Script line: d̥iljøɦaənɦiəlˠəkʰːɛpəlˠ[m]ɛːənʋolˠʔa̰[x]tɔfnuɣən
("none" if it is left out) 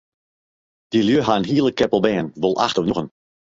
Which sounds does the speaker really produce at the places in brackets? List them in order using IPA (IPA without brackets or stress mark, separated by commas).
b, x